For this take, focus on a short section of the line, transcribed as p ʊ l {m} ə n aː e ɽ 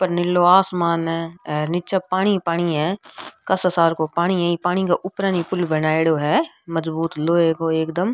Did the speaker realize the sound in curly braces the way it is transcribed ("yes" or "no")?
no